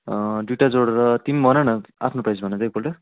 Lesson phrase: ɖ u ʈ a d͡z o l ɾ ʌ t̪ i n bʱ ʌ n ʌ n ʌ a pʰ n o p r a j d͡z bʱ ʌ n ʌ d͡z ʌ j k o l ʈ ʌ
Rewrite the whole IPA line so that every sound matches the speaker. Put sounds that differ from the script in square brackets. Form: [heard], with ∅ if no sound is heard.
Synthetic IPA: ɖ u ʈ a d͡z o [ɽ] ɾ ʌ t̪ i [m] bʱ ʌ n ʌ n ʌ a pʰ n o p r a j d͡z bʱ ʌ n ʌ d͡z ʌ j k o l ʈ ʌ